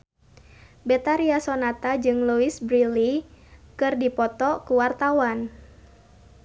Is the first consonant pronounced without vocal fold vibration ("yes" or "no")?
no